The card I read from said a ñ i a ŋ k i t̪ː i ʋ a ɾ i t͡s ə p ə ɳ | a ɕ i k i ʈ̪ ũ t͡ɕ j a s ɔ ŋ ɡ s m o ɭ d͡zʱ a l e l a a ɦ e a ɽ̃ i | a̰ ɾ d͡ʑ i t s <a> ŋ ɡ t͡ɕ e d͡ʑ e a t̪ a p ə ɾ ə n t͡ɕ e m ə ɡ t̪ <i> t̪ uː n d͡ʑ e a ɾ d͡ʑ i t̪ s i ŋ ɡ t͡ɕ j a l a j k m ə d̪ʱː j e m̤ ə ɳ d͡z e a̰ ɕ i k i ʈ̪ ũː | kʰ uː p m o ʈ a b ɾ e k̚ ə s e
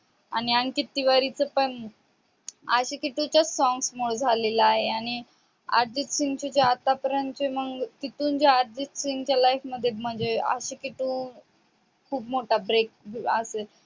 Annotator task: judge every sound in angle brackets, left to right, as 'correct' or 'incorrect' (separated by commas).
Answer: incorrect, correct